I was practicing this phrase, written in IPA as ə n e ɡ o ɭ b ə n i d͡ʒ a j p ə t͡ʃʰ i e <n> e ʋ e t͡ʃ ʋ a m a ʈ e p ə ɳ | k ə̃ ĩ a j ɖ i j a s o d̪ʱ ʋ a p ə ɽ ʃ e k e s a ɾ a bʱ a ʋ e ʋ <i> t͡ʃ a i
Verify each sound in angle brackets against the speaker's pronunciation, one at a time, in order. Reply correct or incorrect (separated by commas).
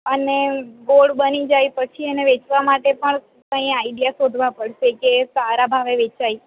correct, incorrect